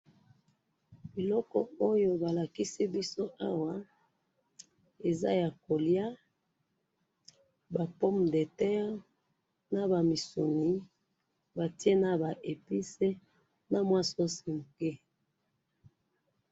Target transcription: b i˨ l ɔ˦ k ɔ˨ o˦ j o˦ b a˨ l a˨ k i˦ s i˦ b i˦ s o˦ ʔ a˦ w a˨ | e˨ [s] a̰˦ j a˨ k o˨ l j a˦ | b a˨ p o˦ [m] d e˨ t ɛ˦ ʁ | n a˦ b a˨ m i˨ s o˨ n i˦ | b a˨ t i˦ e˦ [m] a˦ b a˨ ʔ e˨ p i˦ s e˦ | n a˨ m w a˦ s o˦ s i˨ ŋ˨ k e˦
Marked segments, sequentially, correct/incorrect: incorrect: z, correct, incorrect: n

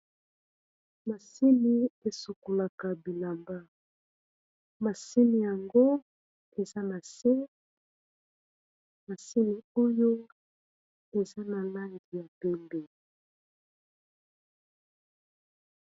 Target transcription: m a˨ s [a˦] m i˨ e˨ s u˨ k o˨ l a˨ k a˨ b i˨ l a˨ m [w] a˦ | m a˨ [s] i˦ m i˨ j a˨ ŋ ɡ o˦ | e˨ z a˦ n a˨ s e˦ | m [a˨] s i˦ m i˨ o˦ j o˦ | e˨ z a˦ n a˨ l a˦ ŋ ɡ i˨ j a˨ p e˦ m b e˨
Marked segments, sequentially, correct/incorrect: incorrect: i˦, incorrect: b, correct, correct

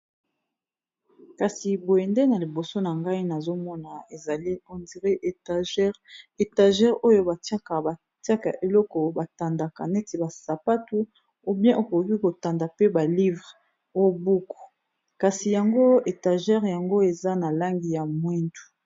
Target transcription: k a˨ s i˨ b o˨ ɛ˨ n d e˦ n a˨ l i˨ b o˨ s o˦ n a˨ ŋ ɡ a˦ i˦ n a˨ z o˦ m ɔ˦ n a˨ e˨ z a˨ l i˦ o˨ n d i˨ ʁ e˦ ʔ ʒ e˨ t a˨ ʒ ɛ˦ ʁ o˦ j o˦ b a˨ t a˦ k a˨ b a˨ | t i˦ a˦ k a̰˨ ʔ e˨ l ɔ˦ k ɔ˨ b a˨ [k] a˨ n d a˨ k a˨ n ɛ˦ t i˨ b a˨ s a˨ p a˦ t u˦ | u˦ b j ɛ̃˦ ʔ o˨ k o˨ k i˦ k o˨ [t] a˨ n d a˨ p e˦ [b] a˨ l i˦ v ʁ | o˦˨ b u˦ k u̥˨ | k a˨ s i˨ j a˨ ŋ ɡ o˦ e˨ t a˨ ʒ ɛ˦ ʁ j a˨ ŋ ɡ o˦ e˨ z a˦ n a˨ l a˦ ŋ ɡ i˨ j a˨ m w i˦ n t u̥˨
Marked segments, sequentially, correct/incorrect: incorrect: t, correct, correct

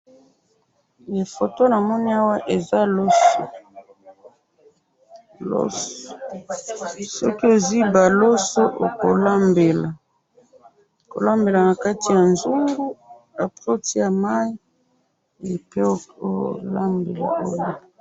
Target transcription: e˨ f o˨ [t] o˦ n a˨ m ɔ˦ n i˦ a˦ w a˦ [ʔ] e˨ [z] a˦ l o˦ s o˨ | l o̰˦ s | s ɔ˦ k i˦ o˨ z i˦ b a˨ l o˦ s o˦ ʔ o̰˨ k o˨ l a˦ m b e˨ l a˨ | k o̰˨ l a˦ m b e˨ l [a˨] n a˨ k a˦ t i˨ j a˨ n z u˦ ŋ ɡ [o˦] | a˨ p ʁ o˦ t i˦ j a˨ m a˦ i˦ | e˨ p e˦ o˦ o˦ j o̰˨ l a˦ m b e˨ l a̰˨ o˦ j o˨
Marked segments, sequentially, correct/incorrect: correct, correct, correct, correct, incorrect: u˦

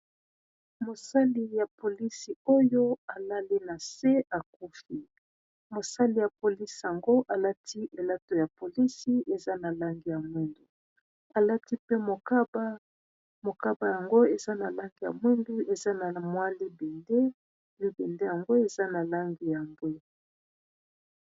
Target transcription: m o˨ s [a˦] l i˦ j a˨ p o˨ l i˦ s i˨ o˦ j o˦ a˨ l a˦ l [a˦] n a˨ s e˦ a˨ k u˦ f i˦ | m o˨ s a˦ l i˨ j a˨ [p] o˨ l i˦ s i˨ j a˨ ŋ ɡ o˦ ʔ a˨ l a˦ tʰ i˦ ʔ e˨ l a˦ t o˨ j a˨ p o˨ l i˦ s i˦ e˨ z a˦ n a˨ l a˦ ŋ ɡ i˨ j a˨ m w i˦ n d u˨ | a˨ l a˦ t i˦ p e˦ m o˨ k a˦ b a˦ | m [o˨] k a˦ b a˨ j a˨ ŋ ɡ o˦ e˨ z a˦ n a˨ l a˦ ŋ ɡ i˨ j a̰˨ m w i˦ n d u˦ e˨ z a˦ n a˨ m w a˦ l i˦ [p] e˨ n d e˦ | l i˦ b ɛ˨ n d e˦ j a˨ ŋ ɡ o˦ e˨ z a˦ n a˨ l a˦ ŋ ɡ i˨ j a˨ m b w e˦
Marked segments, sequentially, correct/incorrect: correct, incorrect: i˦, correct, correct, incorrect: b

